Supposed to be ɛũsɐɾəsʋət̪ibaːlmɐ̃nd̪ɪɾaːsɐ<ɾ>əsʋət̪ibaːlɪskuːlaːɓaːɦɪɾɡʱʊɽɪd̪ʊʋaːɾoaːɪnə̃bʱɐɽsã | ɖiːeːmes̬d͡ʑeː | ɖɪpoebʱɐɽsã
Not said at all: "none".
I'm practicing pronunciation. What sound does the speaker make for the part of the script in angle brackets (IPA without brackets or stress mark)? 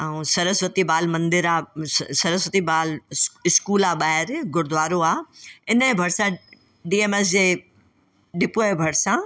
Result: ɾ